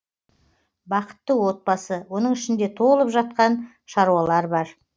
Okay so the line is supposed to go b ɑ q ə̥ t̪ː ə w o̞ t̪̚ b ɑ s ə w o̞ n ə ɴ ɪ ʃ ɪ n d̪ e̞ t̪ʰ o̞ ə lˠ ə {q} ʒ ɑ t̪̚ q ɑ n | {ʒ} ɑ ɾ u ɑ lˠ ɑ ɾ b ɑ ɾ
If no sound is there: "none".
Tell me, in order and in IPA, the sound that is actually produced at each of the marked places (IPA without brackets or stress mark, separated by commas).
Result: p, ʃ